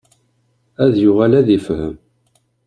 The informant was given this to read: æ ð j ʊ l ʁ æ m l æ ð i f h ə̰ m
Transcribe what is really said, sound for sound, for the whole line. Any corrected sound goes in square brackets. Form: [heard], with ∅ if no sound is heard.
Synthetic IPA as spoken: æ ð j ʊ [∅] ʁ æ [∅] l æ ð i f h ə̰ m

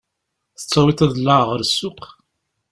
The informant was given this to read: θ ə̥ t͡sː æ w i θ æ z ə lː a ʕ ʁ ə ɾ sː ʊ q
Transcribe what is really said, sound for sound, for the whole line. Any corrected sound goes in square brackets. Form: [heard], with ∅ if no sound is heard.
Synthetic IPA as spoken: θ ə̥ t͡sː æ w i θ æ [ð] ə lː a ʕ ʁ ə ɾ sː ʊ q

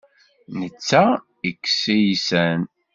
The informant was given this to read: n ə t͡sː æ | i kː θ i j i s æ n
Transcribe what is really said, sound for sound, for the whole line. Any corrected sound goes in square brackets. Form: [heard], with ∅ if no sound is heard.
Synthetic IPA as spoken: n ə t͡sː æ | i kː [s] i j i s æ n

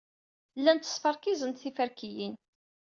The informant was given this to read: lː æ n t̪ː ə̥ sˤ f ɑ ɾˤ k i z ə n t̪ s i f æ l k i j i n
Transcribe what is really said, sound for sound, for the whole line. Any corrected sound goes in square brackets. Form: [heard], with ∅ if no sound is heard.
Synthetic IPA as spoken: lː æ n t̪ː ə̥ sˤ f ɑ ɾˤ k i z ə n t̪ [θ] i f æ [ɾ] k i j i n

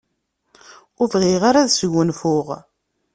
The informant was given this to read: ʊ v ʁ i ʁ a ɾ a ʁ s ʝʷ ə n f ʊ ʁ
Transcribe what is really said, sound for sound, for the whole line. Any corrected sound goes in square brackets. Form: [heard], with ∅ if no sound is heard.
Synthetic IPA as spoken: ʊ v ʁ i ʁ a ɾ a [ð] s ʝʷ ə n f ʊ ʁ

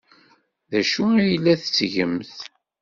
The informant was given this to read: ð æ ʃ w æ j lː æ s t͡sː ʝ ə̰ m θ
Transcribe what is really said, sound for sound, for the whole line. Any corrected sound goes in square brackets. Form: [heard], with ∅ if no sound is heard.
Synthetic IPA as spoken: ð æ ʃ [u] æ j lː æ [θ] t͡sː ʝ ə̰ m θ

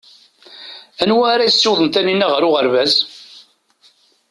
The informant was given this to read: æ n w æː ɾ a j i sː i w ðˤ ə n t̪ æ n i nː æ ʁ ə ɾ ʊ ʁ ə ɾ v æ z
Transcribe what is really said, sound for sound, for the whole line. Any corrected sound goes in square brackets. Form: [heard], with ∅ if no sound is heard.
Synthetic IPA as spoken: æ n w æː ɾ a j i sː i w ðˤ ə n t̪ æ n i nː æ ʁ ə ɾ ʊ ʁ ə ɾ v æ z

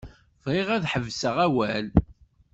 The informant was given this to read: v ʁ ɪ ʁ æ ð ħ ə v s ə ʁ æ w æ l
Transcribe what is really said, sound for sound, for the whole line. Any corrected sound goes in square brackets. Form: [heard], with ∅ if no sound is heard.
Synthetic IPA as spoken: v ʁ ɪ ʁ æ ð ħ ə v s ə ʁ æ w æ l

